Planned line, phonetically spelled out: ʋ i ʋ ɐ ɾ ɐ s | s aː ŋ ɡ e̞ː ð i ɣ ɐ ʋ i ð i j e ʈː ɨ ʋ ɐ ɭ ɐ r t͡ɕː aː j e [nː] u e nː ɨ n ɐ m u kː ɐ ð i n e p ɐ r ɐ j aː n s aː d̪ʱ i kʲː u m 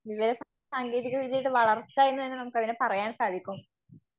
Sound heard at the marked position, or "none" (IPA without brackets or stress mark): nː